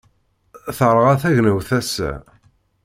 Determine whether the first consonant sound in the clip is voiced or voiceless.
voiceless